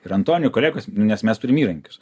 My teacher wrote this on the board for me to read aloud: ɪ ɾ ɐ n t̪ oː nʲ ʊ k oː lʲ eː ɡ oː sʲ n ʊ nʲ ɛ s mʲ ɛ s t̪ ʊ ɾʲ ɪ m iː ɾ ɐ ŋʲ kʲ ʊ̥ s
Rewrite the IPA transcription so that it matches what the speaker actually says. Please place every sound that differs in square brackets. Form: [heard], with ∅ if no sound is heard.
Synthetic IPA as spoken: ɪ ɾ ɐ n t̪ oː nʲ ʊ k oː lʲ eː ɡ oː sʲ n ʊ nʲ ɛ s mʲ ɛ s t̪ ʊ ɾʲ ɪ m iː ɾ ɐ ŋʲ kʲ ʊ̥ s